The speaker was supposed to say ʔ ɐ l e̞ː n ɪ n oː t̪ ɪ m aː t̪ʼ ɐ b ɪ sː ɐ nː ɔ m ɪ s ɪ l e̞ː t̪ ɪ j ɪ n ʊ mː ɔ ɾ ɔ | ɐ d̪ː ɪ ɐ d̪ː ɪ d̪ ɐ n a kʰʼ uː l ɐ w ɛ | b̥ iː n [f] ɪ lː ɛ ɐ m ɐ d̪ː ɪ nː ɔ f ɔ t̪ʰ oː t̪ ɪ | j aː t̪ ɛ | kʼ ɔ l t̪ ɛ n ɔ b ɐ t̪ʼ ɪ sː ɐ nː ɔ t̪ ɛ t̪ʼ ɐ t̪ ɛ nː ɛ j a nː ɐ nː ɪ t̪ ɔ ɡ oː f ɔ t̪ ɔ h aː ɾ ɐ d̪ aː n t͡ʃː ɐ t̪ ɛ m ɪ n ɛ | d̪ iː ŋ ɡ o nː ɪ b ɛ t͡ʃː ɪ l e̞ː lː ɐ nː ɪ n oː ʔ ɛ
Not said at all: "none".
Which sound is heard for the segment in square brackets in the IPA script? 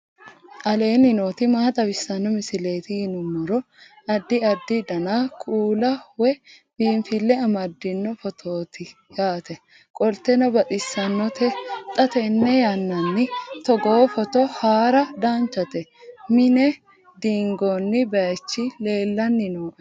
f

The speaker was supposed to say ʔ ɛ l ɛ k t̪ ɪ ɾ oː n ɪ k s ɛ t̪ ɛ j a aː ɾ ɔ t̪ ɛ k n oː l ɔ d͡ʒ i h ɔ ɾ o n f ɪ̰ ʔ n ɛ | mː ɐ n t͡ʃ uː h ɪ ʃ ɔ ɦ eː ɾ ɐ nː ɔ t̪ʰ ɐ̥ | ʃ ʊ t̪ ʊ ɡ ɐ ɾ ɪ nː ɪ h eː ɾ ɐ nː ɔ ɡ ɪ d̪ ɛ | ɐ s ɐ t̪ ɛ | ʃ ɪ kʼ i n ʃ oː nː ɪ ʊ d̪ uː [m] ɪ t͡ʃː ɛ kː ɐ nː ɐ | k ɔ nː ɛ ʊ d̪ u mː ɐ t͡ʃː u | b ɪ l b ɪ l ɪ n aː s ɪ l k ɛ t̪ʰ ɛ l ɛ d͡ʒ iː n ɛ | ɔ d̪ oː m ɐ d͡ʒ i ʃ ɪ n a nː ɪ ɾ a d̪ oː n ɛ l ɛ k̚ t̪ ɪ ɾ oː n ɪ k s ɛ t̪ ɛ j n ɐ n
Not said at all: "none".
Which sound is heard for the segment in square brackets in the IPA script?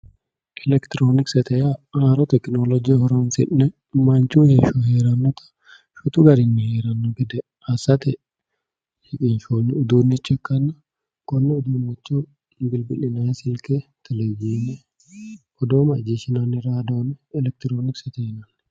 n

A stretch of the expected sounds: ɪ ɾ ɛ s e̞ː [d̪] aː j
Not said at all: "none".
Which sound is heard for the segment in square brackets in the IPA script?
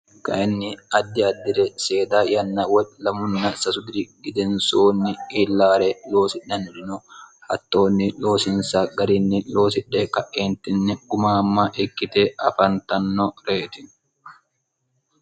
d̪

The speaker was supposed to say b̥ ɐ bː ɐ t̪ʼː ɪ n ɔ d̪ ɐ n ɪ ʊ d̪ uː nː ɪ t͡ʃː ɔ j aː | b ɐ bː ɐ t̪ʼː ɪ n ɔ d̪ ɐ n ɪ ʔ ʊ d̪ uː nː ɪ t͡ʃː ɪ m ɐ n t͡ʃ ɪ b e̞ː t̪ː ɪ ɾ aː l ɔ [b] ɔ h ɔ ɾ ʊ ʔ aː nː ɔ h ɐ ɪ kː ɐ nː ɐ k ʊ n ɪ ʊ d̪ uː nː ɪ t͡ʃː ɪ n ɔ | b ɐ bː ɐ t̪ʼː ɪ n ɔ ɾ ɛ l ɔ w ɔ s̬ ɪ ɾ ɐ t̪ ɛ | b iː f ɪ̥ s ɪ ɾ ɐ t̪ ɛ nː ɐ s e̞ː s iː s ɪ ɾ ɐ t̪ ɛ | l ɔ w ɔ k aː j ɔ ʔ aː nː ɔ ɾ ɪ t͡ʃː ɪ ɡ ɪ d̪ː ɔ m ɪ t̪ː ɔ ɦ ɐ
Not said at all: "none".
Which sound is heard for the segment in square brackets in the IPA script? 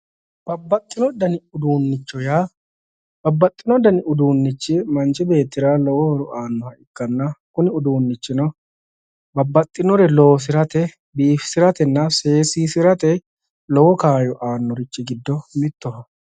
w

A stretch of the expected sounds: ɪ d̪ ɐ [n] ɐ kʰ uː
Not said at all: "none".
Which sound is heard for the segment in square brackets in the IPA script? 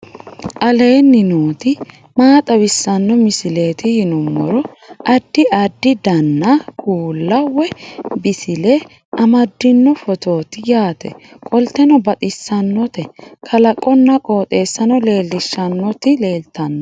nː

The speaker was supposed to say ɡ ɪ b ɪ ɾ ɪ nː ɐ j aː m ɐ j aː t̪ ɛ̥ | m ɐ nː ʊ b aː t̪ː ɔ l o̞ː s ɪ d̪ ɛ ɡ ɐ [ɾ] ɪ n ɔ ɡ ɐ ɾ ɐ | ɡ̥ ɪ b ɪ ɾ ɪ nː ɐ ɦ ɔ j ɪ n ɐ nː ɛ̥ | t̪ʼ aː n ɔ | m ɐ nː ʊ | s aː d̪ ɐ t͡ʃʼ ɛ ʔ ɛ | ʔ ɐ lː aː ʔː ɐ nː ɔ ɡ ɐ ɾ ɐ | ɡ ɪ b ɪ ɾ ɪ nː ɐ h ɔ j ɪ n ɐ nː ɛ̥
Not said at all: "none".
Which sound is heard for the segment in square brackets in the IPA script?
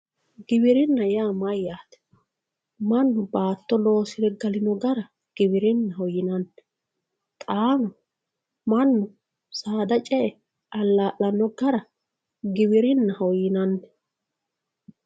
l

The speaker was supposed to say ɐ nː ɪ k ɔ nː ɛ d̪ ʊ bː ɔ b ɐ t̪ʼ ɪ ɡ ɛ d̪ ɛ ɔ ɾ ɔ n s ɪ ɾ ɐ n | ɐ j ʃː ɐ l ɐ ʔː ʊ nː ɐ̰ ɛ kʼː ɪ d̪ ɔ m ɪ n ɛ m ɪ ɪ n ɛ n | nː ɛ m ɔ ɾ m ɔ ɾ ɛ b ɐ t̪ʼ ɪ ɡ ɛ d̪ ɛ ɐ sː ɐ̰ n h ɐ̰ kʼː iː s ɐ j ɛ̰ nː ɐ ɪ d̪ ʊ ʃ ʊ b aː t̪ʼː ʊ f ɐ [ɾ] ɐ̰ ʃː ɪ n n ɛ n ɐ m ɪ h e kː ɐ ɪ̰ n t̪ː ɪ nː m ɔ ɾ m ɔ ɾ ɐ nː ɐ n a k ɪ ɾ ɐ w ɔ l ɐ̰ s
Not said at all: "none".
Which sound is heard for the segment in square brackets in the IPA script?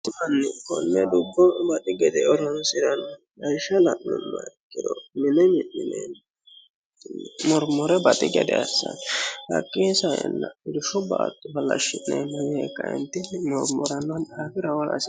l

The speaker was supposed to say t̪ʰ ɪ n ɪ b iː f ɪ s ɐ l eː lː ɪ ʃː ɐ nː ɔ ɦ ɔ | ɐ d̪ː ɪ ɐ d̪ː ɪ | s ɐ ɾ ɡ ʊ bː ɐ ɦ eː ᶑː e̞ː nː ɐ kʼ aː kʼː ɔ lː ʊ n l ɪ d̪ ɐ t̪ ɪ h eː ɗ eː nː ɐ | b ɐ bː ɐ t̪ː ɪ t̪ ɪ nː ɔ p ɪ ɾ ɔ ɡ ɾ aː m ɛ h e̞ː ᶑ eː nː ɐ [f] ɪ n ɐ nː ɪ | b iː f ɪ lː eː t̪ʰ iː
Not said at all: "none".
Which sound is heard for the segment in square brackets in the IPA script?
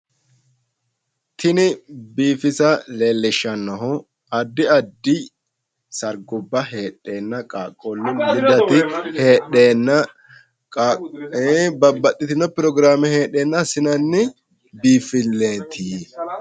s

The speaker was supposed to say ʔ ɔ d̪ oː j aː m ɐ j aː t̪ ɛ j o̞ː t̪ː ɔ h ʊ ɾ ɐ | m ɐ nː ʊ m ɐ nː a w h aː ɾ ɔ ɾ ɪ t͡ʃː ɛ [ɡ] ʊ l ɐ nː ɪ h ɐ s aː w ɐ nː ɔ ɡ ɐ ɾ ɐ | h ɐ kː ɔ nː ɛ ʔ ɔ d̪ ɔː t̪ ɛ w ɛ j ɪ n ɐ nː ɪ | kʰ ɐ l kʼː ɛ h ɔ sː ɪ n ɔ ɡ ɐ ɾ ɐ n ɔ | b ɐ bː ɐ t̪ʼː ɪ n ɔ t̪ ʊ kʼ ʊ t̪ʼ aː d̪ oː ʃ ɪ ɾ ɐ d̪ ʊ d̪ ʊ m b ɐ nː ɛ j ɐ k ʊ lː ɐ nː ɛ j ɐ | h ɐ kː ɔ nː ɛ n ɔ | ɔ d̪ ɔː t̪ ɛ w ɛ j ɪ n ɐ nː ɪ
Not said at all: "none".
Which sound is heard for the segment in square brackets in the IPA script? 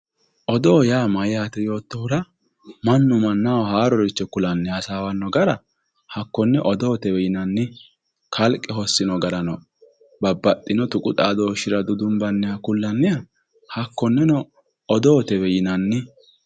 k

